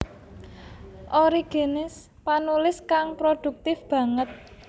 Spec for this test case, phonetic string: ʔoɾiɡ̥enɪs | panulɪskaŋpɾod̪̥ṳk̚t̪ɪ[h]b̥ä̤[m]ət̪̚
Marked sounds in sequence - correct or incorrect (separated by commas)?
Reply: incorrect, incorrect